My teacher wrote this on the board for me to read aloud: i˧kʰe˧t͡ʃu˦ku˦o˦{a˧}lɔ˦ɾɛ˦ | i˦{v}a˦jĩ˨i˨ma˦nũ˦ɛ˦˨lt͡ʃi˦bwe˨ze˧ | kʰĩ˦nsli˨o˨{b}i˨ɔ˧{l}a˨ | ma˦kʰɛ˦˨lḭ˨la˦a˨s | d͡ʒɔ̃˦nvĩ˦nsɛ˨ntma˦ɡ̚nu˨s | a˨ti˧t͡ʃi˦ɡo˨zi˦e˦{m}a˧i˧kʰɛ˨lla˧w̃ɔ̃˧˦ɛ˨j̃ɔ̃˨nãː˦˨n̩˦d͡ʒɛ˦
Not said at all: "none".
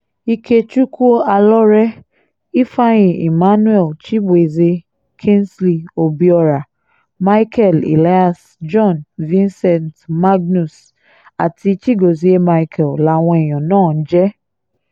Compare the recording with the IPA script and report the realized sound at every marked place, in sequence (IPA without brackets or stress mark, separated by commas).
a˧, f, b, ɾ, m